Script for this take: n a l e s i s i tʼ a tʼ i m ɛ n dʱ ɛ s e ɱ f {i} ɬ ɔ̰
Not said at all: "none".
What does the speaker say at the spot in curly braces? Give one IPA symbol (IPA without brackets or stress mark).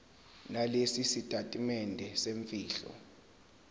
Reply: iː